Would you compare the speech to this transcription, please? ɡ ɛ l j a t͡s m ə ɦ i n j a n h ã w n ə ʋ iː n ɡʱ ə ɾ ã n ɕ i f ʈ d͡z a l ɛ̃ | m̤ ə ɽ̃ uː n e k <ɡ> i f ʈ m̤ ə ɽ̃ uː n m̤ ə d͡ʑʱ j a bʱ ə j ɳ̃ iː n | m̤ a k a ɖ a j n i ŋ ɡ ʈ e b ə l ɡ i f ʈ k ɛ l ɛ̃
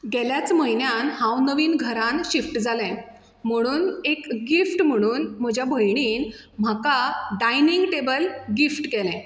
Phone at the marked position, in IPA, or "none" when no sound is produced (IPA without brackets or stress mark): ɡ